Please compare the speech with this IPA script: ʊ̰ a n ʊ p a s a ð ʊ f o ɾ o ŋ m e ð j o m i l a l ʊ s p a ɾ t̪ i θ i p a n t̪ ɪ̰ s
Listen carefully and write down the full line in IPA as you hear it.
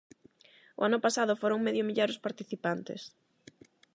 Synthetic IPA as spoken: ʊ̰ a n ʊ p a s a ð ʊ f o ɾ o ŋ m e ð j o m i ʎ a ɾ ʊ s p a ɾ t̪ i θ i p a n t̪ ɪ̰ s